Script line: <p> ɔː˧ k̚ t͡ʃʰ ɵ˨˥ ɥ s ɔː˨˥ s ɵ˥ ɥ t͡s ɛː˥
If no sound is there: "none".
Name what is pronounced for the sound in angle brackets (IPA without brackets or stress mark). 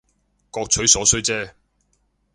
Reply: k